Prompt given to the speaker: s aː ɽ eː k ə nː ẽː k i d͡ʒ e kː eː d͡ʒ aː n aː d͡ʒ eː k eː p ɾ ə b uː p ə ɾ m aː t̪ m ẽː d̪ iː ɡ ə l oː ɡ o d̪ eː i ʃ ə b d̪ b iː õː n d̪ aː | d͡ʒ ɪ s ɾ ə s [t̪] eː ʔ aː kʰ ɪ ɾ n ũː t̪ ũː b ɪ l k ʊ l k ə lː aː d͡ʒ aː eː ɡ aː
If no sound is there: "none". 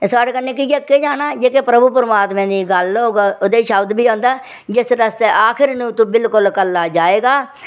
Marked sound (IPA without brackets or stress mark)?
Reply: t̪